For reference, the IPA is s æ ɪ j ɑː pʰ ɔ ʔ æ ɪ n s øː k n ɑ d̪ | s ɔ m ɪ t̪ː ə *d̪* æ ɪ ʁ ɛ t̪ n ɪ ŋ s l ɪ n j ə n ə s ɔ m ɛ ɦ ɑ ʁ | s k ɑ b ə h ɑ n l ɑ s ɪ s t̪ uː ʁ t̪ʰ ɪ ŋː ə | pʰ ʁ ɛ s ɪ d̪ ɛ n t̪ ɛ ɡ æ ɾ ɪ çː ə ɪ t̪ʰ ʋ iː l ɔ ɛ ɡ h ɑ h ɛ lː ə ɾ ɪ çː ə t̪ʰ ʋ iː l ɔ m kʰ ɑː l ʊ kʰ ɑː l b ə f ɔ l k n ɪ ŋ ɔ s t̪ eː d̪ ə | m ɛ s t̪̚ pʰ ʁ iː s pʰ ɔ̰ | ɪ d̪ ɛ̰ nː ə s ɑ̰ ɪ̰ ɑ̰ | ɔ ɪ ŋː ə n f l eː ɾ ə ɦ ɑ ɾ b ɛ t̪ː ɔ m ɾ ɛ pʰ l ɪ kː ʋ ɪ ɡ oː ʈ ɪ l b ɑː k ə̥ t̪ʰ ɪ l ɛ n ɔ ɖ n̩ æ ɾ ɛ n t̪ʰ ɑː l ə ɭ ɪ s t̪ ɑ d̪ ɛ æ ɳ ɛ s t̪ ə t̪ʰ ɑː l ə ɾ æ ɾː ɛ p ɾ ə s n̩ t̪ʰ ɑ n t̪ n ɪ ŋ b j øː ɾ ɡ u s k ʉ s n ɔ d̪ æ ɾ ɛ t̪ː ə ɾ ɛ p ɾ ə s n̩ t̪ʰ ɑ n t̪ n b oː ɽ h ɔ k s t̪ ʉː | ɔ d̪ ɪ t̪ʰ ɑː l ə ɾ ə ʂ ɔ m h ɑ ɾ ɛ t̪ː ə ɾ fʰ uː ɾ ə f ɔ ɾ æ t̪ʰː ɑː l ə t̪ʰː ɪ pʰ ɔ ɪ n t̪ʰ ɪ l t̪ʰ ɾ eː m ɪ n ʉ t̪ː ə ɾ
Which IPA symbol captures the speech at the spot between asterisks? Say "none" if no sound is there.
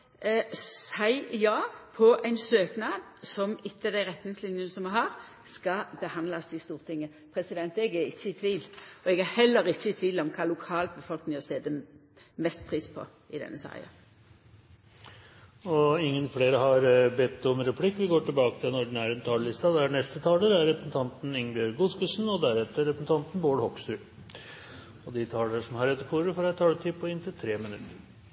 d̪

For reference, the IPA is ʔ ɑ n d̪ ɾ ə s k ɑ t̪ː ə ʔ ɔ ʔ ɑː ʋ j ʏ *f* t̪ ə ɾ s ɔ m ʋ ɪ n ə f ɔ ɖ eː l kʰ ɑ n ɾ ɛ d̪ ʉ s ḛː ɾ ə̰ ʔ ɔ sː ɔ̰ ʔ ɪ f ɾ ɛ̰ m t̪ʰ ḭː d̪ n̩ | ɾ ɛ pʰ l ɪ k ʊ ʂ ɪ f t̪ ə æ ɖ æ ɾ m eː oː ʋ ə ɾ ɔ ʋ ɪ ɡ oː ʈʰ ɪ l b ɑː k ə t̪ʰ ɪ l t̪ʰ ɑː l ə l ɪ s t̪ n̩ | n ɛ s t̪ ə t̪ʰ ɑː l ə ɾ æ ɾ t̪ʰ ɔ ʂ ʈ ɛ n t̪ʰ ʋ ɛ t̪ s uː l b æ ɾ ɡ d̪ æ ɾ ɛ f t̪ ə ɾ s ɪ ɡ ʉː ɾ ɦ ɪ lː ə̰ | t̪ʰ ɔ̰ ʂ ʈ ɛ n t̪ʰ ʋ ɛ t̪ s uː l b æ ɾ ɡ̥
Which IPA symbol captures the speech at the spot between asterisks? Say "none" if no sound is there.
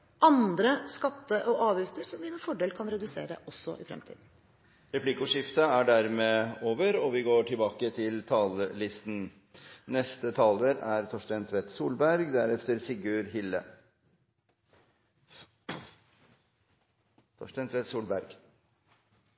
f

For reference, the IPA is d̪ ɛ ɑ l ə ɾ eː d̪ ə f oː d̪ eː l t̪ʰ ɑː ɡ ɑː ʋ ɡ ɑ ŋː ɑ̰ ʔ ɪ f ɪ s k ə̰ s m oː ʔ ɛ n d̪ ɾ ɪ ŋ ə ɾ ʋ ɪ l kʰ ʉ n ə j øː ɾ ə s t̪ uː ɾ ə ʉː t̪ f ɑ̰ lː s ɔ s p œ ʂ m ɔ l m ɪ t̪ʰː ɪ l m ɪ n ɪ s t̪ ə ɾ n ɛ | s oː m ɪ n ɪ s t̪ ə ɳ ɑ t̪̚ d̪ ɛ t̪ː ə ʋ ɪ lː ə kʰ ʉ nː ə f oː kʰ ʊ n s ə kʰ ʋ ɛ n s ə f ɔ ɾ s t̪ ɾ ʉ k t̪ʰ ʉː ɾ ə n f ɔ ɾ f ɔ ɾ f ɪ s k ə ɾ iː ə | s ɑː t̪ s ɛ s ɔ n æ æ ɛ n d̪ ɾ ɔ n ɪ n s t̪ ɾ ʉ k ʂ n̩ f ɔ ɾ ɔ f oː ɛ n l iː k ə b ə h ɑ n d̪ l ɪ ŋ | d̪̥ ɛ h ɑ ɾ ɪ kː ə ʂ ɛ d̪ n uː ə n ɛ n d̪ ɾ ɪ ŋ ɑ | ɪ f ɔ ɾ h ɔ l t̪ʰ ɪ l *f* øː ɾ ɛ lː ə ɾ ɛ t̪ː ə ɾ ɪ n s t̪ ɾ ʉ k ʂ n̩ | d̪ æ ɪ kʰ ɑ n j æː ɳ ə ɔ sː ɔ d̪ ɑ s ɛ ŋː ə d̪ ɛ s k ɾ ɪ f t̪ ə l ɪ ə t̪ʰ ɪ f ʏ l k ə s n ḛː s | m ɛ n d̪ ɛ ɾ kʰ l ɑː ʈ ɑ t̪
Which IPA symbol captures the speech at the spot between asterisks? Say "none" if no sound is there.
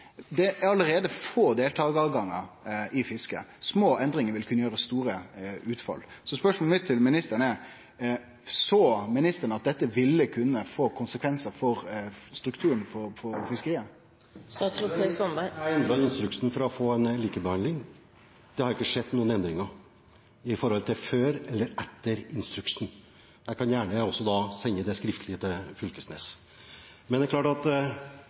f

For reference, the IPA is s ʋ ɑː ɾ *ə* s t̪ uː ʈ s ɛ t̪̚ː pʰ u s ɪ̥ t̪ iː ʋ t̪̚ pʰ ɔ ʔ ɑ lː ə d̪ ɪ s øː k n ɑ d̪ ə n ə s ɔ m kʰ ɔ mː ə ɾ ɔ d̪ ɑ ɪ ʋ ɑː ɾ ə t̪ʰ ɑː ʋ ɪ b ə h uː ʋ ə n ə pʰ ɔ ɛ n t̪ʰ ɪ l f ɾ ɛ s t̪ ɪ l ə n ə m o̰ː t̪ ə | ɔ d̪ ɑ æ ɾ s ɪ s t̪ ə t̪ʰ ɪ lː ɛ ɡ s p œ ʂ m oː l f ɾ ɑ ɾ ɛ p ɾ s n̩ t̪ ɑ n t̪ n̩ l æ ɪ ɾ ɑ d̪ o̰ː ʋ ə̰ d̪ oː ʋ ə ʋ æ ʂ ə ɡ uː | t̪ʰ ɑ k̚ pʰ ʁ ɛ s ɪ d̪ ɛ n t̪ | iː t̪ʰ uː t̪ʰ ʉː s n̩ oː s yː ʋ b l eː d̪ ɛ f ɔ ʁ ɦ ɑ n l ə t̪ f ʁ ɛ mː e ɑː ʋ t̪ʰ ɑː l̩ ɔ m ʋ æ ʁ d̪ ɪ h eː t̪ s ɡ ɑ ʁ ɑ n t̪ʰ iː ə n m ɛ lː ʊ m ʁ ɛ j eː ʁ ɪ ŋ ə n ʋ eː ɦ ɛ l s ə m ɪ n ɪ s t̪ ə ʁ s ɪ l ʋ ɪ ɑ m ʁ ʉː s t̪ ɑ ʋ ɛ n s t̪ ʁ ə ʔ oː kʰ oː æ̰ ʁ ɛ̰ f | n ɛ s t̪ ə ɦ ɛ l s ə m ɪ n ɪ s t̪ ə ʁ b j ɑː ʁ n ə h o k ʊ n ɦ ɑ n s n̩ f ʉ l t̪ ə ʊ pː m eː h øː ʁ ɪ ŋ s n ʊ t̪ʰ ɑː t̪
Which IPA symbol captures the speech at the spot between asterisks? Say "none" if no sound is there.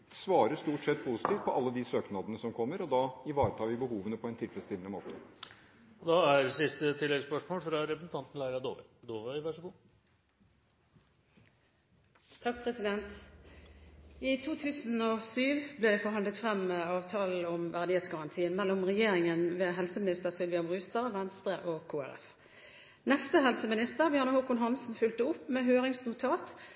ə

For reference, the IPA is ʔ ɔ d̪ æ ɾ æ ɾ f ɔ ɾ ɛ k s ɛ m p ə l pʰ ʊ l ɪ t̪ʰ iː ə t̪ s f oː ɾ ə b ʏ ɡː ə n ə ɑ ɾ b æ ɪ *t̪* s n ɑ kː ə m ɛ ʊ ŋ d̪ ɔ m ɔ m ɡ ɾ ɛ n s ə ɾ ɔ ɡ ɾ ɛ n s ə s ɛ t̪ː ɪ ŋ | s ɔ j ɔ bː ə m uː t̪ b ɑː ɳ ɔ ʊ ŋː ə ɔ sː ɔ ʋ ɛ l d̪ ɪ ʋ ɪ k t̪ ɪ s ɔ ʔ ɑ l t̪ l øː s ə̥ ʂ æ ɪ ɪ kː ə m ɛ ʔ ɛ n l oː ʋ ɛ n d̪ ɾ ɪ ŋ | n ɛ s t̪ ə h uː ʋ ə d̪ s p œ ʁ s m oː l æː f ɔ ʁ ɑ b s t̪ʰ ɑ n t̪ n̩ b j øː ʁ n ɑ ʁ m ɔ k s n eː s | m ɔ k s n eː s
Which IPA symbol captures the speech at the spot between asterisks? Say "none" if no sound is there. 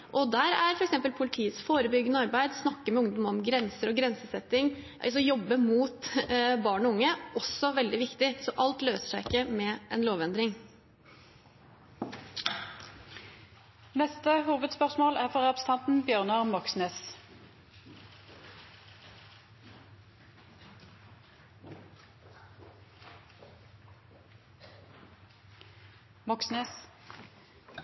d̪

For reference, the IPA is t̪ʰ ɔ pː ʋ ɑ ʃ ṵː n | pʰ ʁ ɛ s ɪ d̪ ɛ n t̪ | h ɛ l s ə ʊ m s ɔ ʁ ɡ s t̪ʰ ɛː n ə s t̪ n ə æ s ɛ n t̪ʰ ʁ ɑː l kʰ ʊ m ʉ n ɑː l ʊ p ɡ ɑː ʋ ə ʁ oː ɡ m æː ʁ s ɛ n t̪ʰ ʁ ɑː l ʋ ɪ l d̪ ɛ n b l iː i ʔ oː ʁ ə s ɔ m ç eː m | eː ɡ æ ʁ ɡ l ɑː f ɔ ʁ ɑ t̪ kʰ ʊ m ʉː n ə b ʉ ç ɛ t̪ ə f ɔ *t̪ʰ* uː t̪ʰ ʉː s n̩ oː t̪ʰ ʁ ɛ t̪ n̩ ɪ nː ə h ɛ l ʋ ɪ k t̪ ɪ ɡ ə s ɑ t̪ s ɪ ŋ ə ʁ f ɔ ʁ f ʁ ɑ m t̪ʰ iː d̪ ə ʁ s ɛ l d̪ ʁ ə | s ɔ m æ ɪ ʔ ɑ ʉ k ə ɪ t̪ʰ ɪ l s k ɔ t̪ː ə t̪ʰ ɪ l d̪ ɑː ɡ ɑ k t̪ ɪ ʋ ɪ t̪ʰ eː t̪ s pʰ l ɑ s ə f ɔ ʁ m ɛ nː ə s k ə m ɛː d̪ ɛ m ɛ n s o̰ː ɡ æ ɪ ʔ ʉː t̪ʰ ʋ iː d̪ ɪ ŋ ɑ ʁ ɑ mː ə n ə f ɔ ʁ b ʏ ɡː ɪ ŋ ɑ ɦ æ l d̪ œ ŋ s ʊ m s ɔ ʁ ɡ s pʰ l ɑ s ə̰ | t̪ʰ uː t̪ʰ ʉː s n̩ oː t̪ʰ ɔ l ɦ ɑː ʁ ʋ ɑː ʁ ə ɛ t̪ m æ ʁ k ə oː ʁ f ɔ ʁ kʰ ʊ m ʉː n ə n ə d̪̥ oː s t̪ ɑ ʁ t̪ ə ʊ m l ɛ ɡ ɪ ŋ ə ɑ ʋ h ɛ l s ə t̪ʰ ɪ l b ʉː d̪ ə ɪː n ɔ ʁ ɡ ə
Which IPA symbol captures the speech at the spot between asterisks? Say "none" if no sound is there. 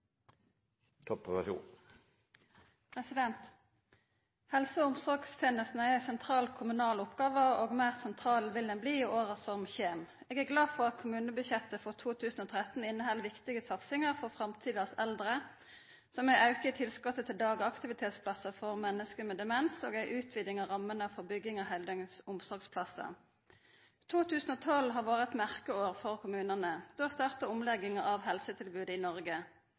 t̪ʰ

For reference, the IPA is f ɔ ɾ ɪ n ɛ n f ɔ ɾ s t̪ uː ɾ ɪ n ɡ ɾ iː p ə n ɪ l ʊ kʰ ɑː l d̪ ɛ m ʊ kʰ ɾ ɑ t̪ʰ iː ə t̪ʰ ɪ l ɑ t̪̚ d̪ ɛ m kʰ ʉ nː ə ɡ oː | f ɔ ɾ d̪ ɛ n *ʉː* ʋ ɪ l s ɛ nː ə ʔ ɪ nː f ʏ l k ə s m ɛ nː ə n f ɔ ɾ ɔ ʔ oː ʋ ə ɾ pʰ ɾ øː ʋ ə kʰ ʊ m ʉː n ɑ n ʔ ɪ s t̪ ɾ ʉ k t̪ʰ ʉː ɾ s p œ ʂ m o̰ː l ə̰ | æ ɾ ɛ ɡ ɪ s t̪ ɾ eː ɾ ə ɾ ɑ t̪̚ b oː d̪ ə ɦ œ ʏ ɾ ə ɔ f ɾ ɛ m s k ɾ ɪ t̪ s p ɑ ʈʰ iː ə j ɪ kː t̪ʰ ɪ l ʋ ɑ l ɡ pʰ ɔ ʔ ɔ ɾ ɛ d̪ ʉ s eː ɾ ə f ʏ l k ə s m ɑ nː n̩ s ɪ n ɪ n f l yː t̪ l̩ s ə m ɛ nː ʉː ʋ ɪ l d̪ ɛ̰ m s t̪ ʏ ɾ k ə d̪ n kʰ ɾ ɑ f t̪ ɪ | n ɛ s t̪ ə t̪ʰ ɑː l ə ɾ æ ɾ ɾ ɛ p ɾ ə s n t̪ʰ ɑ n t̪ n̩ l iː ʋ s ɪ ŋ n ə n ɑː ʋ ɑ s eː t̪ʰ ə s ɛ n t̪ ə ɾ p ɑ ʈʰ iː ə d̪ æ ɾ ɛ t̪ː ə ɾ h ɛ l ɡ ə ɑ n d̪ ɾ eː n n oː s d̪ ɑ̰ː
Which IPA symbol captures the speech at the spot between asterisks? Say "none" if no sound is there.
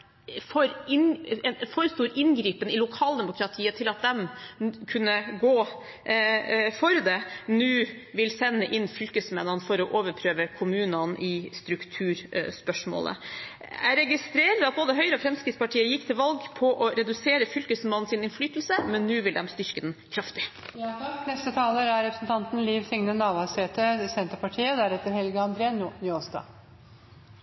ʉː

